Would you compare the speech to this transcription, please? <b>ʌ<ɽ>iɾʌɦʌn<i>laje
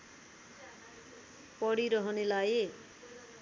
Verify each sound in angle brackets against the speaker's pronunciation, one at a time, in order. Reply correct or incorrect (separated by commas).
incorrect, correct, incorrect